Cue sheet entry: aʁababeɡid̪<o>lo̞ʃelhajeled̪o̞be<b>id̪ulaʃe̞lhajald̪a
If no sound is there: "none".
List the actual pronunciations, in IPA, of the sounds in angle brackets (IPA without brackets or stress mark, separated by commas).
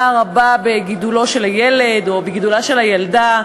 u, ɡ